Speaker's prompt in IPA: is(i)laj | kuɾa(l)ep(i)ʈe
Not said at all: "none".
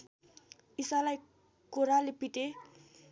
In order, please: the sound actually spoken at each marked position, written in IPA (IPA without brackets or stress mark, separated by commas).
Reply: a, l, i